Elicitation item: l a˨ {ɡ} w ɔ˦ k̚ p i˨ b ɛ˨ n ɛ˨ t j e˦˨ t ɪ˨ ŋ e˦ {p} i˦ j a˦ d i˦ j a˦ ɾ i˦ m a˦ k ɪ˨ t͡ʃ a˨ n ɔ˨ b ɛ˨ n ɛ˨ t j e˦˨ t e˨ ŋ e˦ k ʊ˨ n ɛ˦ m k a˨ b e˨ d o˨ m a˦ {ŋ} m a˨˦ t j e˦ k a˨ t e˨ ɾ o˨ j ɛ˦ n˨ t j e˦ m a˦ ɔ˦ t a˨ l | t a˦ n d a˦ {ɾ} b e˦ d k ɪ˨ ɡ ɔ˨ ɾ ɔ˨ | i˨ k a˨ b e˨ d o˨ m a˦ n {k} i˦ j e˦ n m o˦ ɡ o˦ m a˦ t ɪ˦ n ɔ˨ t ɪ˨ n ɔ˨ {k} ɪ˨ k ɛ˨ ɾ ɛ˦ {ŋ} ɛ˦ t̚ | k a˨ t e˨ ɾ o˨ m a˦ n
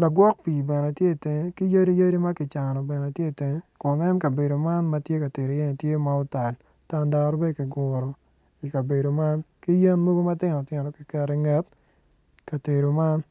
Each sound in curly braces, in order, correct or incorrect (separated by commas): correct, incorrect, incorrect, correct, correct, correct, correct